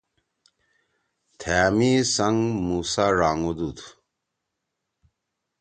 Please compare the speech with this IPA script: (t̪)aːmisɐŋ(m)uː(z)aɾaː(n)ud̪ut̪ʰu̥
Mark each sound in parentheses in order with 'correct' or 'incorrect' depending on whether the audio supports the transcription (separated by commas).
incorrect, correct, incorrect, incorrect